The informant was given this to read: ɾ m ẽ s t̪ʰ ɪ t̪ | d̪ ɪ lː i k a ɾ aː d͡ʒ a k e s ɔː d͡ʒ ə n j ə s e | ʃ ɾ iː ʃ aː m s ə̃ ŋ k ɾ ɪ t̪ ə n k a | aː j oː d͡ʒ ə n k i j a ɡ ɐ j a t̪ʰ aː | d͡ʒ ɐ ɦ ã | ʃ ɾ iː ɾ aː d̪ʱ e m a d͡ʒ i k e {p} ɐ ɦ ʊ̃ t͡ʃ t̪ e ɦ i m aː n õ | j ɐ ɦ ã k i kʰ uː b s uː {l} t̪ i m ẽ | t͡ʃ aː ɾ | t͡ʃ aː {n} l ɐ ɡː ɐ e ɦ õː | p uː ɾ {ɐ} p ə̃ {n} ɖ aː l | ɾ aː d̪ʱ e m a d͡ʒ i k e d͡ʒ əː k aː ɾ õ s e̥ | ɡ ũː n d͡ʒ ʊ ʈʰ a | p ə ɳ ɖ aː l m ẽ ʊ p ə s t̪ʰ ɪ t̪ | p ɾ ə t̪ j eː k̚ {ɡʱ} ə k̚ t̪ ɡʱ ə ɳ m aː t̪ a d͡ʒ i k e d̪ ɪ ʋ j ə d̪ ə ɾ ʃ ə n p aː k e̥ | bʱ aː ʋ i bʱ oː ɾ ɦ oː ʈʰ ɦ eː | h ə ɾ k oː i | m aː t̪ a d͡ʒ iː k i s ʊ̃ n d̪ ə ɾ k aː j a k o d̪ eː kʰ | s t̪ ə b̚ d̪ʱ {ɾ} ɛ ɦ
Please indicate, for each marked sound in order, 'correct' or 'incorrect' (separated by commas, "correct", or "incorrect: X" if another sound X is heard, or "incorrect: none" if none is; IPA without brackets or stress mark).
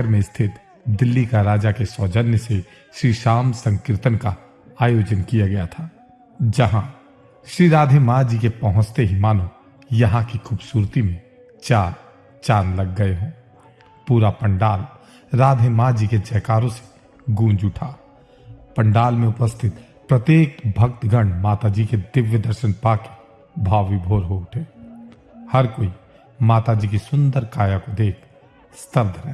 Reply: correct, incorrect: ɾ, correct, incorrect: a, incorrect: ɳ, incorrect: bʱ, correct